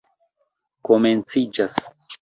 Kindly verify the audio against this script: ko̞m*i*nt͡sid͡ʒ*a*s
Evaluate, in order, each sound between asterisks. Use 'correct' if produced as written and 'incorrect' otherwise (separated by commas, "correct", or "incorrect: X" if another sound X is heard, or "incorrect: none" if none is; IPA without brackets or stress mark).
incorrect: e, correct